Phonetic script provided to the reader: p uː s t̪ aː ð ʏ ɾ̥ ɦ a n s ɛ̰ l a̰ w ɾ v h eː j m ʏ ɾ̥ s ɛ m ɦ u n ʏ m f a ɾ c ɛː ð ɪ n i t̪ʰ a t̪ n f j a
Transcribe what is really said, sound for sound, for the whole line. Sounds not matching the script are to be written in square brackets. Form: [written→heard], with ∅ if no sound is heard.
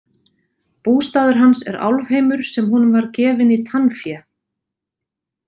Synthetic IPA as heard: p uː s t̪ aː ð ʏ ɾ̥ ɦ a n s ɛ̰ [l→ɾ] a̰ w [ɾ→l] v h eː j m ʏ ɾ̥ s ɛ m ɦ u n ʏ m [f→v] a ɾ c ɛː [ð→v] ɪ n i t̪ʰ a [t̪→∅] n f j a